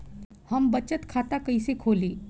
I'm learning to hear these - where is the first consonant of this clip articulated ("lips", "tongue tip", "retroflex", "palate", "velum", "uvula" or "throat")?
throat